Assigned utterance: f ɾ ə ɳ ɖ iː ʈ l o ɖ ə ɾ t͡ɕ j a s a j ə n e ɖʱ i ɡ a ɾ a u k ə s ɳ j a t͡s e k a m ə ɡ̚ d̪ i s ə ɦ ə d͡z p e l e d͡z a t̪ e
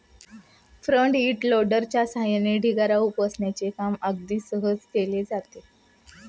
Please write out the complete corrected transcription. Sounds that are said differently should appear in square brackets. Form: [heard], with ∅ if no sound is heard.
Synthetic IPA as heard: f ɾ ə ɳ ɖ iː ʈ l o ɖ ə ɾ t͡ɕ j a s a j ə n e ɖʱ i ɡ a ɾ a u [p] ə s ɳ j a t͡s e k a m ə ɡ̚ d̪ [iː] s ə ɦ ə d͡z [k] e l e d͡z a t̪ e